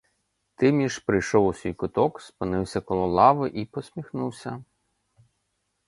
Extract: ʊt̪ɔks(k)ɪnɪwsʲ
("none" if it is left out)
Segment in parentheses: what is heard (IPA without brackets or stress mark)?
p